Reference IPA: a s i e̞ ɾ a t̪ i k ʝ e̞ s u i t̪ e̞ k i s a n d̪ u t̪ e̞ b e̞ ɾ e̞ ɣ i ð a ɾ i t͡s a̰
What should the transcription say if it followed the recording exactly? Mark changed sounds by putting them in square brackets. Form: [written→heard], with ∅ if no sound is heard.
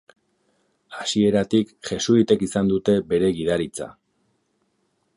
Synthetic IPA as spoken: a s i e̞ ɾ a t̪ i k ʝ e̞ s u i t̪ e̞ k i s a n d̪ u t̪ e̞ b e̞ ɾ e̞ ɣ i ð a ɾ i t͡s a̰

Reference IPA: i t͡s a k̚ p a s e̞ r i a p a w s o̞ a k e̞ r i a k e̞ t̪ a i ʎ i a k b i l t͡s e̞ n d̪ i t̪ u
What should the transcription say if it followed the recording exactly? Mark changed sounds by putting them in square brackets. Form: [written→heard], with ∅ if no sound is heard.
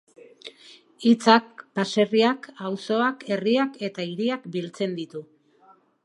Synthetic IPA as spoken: i t͡s a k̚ p a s e̞ r i a [p→k] a w s o̞ a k e̞ r i a k e̞ t̪ a i [ʎ→ɾ] i a k b i l t͡s e̞ n d̪ i t̪ u

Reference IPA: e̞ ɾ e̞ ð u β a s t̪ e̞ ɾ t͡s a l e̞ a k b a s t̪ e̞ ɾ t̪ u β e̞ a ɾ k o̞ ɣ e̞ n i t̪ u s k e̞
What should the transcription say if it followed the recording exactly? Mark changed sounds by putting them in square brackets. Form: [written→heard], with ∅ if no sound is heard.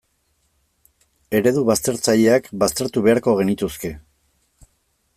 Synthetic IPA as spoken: e̞ ɾ e̞ ð u β a s t̪ e̞ ɾ t͡s a [l→ʎ] e̞ a k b a s t̪ e̞ ɾ t̪ u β e̞ a ɾ k o̞ ɣ e̞ n i t̪ u s k e̞

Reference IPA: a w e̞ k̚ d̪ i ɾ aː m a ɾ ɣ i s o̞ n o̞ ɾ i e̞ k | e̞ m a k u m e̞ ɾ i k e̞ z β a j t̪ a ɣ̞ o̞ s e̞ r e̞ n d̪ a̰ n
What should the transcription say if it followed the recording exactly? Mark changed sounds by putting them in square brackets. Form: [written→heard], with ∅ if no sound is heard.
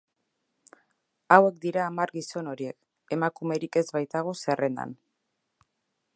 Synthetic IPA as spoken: a w e̞ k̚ d̪ i ɾ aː m a ɾ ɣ i s o̞ n o̞ ɾ i e̞ k | e̞ m a k u m e̞ ɾ i k e̞ z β a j t̪ a ɣ̞ o̞ s e̞ r e̞ n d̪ a̰ n

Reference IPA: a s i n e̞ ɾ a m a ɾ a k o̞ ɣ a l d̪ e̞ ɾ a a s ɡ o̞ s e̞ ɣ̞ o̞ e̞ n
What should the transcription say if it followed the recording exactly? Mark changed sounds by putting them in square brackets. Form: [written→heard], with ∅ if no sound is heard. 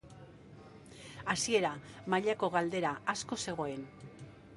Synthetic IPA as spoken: a s i [n→∅] e̞ ɾ a m a [ɾ→ʎ] a k o̞ ɣ a l d̪ e̞ ɾ a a s [ɡ→k] o̞ s e̞ ɣ̞ o̞ e̞ n

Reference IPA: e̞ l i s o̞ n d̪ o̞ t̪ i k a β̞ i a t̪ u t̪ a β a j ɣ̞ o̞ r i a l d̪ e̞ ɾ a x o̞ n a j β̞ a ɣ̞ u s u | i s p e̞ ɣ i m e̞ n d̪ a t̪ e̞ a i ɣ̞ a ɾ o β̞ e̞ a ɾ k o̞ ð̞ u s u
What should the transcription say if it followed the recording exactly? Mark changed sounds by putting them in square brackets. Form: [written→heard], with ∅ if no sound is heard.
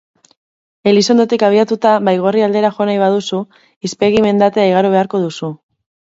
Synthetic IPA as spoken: e̞ l i s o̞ n d̪ o̞ t̪ i k a β̞ i a t̪ u t̪ a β a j ɣ̞ o̞ r i a l d̪ e̞ ɾ a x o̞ n a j β̞ a [ɣ̞→ð̞] u s u | i s p e̞ ɣ i m e̞ n d̪ a t̪ e̞ a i ɣ̞ a ɾ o β̞ e̞ a ɾ k o̞ ð̞ u s u

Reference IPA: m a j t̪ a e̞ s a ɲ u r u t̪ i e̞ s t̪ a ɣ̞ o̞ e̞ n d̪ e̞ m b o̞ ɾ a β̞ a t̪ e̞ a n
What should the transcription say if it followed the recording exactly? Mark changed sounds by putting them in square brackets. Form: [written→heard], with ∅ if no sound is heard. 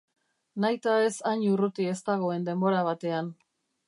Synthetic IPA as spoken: [m→n] a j t̪ a e̞ s a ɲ u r u t̪ i e̞ s t̪ a ɣ̞ o̞ e̞ n d̪ e̞ m b o̞ ɾ a β̞ a t̪ e̞ a n

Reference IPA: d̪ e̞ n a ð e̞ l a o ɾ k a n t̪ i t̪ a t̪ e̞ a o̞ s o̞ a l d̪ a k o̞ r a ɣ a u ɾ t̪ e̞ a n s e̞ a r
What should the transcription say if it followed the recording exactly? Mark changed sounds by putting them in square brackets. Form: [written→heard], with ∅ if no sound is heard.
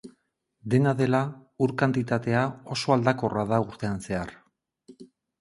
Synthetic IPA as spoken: d̪ e̞ n a ð e̞ l a [o→u] ɾ k a n t̪ i t̪ a t̪ e̞ a o̞ s o̞ a l d̪ a k o̞ r a [ɣ→ð] a u ɾ t̪ e̞ a n s e̞ a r

